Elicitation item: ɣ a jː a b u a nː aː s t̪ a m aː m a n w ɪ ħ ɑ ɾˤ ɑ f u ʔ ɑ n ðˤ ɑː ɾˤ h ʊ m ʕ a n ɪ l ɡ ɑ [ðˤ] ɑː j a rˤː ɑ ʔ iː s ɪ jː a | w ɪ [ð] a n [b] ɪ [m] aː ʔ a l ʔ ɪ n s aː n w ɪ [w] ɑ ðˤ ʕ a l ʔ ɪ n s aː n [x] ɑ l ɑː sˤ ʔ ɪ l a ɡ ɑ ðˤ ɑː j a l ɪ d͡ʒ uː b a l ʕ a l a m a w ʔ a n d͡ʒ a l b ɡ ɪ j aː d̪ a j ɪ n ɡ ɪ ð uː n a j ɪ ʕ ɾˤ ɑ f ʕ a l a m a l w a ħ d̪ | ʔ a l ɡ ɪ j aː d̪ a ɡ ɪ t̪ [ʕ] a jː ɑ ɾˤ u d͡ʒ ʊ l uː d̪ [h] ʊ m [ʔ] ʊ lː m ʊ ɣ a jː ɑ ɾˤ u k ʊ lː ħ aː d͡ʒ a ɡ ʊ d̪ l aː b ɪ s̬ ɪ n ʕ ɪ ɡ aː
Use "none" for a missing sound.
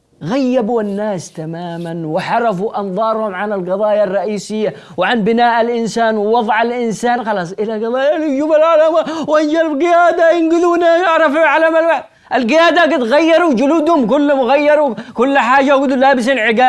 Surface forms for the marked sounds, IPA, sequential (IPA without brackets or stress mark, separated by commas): ðˤ, ʕ, b, n, w, x, ɣ, h, k